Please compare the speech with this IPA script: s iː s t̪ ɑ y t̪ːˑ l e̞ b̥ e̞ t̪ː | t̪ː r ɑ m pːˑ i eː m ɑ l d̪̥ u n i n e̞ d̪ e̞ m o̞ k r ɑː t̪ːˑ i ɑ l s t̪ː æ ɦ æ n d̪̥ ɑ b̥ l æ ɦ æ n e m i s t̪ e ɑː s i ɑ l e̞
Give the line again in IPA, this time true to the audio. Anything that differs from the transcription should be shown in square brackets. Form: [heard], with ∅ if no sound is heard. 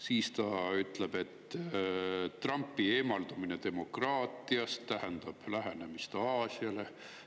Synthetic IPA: s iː s t̪ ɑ y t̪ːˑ l e̞ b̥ e̞ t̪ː | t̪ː r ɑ m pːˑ i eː m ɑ l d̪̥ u [m] i n e̞ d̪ e̞ m o̞ k r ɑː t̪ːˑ i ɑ [∅] s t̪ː æ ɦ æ n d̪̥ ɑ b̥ l æ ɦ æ n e m i s t̪ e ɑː s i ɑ l e̞